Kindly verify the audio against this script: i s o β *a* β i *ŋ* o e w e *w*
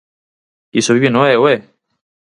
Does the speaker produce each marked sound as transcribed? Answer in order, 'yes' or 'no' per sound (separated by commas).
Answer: no, no, no